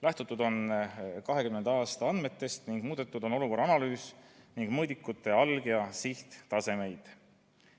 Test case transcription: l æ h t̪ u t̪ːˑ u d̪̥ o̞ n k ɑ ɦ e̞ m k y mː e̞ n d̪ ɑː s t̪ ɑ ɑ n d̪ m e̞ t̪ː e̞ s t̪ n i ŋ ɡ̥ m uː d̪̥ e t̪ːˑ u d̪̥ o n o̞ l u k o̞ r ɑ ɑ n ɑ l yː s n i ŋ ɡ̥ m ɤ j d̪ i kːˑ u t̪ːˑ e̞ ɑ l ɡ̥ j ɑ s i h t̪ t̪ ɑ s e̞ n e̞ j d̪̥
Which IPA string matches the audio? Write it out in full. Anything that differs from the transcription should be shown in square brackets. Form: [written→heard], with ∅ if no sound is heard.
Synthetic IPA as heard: l æ h t̪ u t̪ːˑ u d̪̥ o̞ n k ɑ ɦ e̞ [m→∅] k y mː e̞ n d̪ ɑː s t̪ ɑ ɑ n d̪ m e̞ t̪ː e̞ s t̪ n i ŋ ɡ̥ m uː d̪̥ e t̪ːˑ u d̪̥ o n o̞ l u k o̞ r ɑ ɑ n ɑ l yː s n i ŋ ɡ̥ m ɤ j d̪ i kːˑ u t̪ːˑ e̞ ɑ l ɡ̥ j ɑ s i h t̪ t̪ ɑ s e̞ [n→m] e̞ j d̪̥